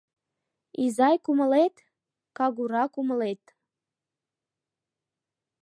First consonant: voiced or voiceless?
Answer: voiced